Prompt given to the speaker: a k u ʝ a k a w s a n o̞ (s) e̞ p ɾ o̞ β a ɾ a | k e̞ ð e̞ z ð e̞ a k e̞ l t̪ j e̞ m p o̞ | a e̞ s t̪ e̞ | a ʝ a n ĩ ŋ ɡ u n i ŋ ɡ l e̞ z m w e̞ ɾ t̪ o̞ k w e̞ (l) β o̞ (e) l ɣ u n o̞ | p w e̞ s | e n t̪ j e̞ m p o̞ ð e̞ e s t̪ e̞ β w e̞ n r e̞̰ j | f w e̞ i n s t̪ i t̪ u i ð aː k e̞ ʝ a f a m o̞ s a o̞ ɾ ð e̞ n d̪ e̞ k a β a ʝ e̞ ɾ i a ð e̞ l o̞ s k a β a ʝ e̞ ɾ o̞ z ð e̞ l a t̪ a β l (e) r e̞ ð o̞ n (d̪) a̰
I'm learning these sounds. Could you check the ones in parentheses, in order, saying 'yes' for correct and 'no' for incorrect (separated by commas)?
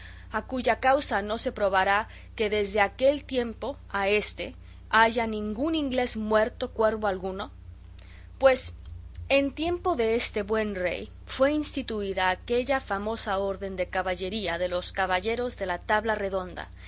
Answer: yes, no, no, no, yes